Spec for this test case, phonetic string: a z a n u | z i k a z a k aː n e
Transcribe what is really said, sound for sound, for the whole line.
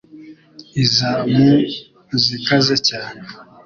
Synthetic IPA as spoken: i z a m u | z i k a z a c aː n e